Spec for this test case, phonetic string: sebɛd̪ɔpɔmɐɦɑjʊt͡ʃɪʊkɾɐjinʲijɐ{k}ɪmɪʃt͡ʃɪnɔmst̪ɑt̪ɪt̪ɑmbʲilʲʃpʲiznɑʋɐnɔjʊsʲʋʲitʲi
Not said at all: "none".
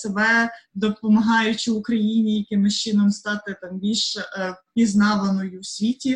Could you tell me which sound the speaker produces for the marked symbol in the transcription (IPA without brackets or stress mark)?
k